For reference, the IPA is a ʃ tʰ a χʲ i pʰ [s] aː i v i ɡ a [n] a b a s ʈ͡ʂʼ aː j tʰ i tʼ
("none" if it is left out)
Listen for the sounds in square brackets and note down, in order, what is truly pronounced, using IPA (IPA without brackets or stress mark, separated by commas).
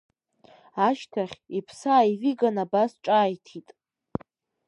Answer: s, n